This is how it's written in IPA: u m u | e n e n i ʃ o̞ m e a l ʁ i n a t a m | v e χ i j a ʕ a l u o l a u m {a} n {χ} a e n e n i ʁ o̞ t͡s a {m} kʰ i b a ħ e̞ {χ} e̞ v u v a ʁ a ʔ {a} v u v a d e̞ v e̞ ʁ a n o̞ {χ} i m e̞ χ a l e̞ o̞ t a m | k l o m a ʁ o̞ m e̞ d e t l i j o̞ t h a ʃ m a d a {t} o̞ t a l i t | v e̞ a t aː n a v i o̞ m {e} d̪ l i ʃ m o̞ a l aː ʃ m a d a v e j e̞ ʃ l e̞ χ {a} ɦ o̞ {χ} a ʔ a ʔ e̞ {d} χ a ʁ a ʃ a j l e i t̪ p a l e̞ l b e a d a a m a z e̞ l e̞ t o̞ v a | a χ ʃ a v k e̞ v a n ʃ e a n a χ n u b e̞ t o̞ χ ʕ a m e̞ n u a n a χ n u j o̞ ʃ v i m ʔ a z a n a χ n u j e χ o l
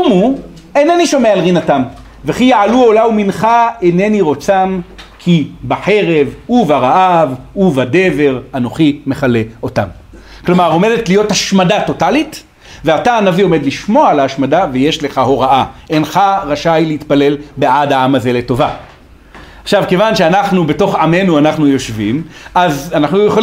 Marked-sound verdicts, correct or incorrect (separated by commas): incorrect, correct, correct, incorrect, correct, correct, correct, correct, correct, incorrect, incorrect